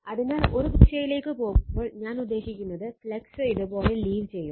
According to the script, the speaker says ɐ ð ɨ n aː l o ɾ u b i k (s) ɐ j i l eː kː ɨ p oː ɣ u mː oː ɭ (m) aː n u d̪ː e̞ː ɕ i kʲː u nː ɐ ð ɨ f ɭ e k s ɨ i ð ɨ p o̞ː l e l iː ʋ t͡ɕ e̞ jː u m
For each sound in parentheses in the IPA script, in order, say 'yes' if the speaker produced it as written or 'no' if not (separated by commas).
no, no